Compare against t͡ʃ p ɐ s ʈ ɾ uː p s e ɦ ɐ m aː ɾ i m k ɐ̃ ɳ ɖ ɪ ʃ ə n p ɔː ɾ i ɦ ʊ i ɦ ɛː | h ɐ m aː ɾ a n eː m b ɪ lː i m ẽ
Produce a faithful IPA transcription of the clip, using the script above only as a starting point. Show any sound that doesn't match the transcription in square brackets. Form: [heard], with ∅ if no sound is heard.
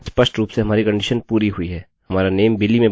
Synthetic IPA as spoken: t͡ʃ p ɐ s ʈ ɾ uː p s e ɦ ɐ m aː ɾ i [∅] k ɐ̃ ɳ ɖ ɪ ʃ ə n p [uː] ɾ i ɦ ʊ i ɦ ɛː | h ɐ m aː ɾ a n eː m b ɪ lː i m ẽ